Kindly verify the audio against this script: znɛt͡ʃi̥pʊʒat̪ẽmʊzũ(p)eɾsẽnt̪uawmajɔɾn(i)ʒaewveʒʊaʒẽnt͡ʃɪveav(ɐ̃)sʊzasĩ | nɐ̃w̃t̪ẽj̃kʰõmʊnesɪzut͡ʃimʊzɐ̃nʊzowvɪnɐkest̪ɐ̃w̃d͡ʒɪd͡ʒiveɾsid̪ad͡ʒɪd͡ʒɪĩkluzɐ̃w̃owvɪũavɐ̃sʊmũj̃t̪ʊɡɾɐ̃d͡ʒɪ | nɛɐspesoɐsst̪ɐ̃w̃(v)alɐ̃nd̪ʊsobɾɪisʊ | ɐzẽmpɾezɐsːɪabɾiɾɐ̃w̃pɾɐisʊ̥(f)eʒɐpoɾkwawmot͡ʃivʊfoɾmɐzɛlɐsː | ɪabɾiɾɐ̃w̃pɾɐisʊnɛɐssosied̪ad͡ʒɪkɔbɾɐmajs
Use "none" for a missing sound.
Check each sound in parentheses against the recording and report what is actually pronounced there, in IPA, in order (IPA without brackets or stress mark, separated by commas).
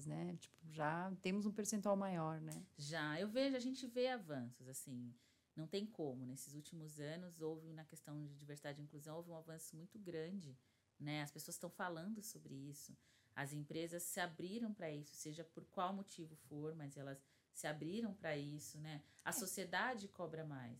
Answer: p, ɛ, ɐ̃, f, s